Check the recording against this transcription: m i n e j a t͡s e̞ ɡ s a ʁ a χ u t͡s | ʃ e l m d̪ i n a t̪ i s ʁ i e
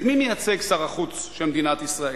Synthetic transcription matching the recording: m i m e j a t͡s e̞ ɡ s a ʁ a χ u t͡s | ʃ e l m d̪ i n a t̪ i s ʁ a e